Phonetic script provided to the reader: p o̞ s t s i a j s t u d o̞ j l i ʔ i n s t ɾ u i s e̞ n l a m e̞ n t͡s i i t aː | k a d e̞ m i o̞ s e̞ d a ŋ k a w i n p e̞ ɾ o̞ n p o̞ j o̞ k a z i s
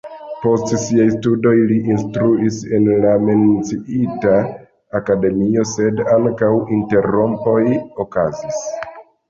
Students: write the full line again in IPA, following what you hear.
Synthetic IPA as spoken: p o̞ s t s i a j s t u d o̞ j l i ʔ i n s t ɾ u i s e̞ n l a m e̞ n t͡s i i t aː | k a d e̞ m i o̞ s e̞ d a ŋ k a w i n t e̞ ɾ o̞ m p o̞ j o̞ k a z i s